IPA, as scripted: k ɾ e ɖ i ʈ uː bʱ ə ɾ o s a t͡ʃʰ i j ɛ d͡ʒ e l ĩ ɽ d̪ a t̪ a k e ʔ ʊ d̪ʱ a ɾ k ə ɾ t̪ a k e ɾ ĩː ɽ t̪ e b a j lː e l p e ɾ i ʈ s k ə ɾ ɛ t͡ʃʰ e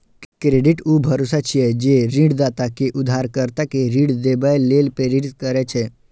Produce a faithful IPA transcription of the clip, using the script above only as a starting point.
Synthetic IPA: k ɾ e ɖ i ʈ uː bʱ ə ɾ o s a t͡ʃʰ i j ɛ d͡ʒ e ɾ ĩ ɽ d̪ a t̪ a k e ʔ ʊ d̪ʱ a ɾ k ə ɾ t̪ a k e ɾ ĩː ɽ d̪ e b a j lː e l p e ɾ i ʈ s k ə ɾ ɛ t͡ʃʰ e